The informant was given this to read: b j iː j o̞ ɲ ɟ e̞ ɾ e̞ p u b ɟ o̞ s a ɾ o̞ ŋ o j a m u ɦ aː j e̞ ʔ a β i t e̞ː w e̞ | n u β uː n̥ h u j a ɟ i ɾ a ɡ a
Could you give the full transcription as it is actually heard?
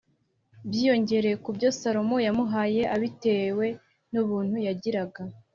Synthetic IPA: b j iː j o̞ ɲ ɟ e̞ ɾ e̞ k u b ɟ o̞ s a ɾ o̞ m o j a m u ɦ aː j e̞ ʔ a β i t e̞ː w e̞ | n u β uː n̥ h u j a ɟ i ɾ a ɡ a

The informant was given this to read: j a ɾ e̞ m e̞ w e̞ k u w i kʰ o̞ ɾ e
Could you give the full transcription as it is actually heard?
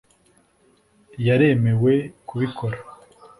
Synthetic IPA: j a ɾ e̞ m e̞ w e̞ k u β i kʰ o̞ ɾ a

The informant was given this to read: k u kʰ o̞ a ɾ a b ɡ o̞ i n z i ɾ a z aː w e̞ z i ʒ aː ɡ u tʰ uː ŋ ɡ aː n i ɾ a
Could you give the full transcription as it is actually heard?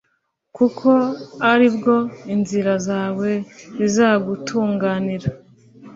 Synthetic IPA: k u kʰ o̞ a ɾ i b ɡ o̞ i n z i ɾ a z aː w e̞ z i z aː ɡ u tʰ uː ŋ ɡ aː n i ɾ a

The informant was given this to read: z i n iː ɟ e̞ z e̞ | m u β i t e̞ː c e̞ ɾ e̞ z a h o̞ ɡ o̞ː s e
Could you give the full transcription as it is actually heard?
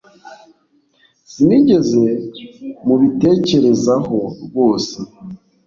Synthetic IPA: s i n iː ɟ e̞ z e̞ | m u β i t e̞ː c e̞ ɾ e̞ z a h o̞ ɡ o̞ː s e

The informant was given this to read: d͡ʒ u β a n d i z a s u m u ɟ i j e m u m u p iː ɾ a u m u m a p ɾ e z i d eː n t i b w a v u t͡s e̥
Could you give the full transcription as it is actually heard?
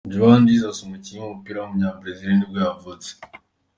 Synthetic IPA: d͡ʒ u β a n d i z a s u m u c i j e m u m u p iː ɾ a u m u ɲ a p ɾ e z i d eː n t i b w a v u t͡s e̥

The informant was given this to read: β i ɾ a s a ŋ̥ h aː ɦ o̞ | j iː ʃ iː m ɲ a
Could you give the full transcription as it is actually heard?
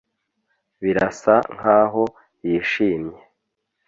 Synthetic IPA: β i ɾ a s a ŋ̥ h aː ɦ o̞ | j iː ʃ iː m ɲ e

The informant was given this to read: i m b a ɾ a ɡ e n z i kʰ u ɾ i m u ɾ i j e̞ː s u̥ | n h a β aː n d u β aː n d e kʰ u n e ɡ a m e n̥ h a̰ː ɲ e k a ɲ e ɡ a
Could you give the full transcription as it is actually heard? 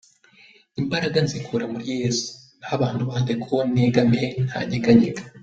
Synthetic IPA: i m b a ɾ a ɡ a n z i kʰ u ɾ a m u ɾ i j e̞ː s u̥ | n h a β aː n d u β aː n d e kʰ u n e ɡ a m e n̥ h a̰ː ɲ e ɡ a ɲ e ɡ a

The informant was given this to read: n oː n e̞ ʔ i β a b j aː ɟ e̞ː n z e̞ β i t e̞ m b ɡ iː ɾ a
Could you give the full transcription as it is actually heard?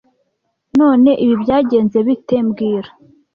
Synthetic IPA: n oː n e̞ ʔ i β i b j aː ɟ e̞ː n z e̞ β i t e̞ m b ɡ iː ɾ a

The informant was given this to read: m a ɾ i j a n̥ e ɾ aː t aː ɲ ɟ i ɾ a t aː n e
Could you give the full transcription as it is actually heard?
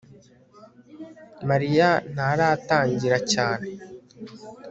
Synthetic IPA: m a ɾ i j a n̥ a ɾ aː t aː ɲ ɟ i ɾ a c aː n e

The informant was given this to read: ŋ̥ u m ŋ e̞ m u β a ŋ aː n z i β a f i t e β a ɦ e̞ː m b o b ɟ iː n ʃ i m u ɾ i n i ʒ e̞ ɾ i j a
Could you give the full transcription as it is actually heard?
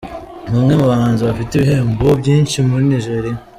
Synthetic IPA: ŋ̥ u m ŋ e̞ m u β a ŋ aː n z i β a f i t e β i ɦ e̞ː m b o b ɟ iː n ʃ i m u ɾ i n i ʒ e̞ ɾ i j a

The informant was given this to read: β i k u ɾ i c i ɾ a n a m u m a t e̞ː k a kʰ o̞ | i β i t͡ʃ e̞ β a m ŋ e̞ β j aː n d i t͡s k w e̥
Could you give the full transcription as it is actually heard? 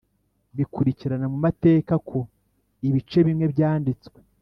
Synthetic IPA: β i k u ɾ i c i ɾ a n a m u m a t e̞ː k a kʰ o̞ | i β i t͡ʃ e̞ β i m ŋ e̞ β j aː n d i t͡s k w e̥

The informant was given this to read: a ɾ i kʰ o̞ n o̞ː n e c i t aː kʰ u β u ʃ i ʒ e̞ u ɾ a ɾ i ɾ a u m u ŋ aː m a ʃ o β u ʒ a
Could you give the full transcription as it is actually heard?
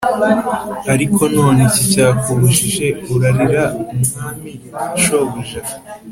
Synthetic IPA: a ɾ i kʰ o̞ n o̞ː n e c i c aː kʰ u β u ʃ i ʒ e̞ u ɾ a ɾ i ɾ a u m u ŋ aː m i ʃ o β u ʒ a

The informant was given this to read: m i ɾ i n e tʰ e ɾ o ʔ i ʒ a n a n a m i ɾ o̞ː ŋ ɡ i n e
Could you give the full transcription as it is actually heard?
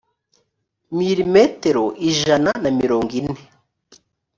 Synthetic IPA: m i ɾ i m e t e ɾ o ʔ i ʒ a n a n a m i ɾ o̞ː ŋ ɡ i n e

